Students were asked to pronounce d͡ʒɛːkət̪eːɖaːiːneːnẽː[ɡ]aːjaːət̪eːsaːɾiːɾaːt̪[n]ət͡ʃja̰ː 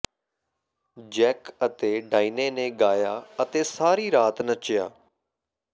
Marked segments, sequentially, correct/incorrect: correct, correct

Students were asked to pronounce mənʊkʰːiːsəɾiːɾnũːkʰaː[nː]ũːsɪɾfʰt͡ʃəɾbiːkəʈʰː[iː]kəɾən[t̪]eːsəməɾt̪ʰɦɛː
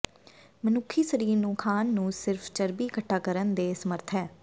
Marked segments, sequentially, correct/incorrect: correct, incorrect: aː, incorrect: d̪

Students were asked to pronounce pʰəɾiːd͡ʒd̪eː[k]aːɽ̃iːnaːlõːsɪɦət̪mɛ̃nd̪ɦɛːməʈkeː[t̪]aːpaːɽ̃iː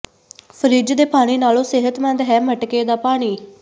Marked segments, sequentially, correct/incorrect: incorrect: p, incorrect: d̪

